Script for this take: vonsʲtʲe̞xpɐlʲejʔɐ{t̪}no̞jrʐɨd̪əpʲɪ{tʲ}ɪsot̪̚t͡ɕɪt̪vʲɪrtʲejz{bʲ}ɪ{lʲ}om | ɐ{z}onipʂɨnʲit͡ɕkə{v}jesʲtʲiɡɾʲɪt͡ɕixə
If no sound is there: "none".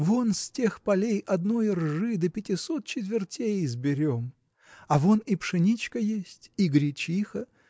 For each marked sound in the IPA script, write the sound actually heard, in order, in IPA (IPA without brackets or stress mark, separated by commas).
d̪, tʲ, bʲ, ɾʲ, v, none